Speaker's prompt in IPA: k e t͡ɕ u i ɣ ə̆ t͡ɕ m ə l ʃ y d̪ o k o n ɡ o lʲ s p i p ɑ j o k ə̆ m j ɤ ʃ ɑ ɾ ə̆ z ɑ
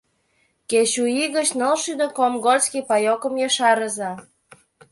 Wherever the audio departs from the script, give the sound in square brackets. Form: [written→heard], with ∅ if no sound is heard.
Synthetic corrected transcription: k e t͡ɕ u i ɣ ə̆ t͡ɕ [m→n] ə l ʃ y d̪ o k o [n→m] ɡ o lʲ s [p→k] i p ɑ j o k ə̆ m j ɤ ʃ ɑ ɾ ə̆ z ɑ